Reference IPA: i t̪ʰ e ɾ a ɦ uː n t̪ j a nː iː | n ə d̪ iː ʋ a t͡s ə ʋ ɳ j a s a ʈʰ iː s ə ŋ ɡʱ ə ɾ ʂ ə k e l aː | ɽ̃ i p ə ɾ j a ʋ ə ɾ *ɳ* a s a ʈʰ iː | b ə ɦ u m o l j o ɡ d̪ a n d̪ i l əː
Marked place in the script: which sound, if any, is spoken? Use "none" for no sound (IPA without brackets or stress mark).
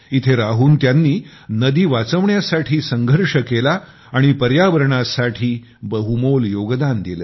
ɳ